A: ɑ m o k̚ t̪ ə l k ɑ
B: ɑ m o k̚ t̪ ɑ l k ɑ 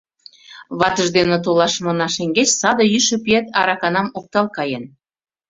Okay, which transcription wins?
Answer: B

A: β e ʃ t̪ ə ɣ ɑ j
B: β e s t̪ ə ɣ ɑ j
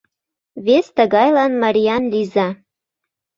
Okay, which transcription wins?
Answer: B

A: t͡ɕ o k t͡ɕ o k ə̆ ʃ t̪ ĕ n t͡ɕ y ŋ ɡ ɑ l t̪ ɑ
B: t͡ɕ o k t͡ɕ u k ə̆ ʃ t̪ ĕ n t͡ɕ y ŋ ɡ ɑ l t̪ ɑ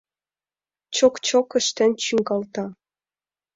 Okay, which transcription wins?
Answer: A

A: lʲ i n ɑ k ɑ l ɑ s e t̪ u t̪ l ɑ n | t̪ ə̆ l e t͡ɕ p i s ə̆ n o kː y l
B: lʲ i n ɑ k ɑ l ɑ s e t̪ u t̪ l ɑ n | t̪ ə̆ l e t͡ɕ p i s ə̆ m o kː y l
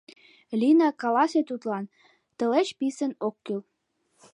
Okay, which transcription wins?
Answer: A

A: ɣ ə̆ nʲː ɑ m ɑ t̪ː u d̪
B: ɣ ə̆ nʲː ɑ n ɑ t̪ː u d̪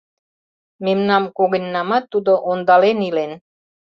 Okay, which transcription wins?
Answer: A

